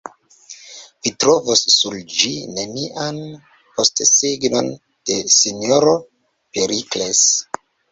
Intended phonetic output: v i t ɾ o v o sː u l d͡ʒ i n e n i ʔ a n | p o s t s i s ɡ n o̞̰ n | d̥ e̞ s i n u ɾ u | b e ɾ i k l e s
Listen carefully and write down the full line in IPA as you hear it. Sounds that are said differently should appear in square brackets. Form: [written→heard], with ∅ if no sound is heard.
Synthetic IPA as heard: v i t ɾ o v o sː u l d͡ʒ i n e n i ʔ a n | p o s t s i [s→∅] ɡ n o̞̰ n | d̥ e̞ s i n [u→o] ɾ [u→o] | [b→p] e ɾ i k l e s